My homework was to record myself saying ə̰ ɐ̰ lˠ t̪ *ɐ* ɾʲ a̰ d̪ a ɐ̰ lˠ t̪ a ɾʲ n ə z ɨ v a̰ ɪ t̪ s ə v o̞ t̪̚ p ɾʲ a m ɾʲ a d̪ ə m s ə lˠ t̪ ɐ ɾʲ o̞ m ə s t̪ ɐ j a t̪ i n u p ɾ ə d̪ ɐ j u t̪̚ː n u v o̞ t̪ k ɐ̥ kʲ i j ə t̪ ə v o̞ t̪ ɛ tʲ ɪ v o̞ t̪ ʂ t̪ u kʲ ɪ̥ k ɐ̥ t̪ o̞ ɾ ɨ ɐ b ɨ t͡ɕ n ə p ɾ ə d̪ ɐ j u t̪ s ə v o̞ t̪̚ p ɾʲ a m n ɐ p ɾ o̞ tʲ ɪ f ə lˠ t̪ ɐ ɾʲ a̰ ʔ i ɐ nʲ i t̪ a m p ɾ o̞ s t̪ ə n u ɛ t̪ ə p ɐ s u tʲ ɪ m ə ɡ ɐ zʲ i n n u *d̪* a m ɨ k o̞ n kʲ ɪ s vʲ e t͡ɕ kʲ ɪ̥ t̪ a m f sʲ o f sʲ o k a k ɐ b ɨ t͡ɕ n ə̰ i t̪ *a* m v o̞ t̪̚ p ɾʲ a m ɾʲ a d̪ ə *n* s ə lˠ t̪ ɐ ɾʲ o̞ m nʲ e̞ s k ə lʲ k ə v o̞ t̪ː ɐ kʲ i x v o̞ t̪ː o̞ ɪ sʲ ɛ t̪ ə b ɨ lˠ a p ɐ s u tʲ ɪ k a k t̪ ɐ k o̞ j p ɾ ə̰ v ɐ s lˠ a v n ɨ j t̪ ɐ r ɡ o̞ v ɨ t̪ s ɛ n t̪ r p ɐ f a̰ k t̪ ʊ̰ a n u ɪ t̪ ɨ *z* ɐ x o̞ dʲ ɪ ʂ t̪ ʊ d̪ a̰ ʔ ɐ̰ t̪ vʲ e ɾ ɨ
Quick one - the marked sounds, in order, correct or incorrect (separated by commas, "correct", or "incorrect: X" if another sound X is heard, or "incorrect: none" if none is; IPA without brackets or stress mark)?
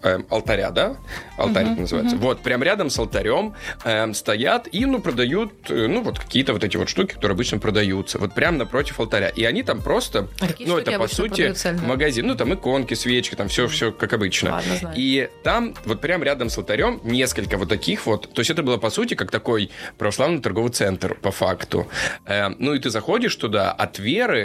correct, incorrect: t̪, correct, incorrect: m, correct